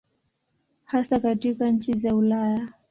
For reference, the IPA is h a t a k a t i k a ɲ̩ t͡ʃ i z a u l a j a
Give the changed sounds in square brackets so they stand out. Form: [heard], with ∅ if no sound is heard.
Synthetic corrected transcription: h a [s] a k a t i k a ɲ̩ t͡ʃ i z a u l a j a